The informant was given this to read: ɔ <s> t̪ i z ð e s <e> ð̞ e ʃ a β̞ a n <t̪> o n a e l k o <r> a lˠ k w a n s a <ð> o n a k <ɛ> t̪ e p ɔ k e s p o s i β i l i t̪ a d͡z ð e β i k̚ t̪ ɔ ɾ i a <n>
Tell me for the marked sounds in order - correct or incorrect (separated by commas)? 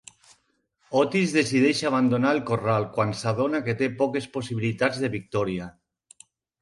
incorrect, incorrect, incorrect, correct, correct, incorrect, incorrect